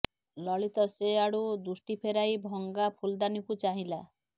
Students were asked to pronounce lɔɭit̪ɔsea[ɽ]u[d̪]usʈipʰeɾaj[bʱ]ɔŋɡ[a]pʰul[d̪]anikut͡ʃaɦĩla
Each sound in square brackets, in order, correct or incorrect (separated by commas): correct, correct, correct, correct, correct